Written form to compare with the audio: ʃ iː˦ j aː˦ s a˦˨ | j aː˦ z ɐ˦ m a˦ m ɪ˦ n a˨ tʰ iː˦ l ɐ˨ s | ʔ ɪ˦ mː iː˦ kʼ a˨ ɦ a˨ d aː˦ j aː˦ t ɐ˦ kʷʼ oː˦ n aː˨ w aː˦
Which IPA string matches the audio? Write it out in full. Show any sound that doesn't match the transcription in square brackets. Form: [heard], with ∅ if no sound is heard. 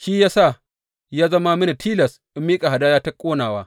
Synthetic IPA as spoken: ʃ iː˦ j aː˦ s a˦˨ | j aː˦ z ɐ˦ m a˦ m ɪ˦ n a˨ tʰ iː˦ l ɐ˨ s | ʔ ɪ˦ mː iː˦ kʼ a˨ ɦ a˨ d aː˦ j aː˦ t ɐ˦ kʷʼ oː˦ n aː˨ w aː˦